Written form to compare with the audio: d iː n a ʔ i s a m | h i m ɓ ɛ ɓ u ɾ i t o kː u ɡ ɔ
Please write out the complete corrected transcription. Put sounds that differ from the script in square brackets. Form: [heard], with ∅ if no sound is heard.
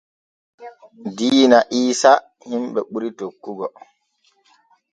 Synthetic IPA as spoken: d iː n a ʔ [iː] s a [∅] | h i m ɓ ɛ ɓ u ɾ i t o kː u ɡ ɔ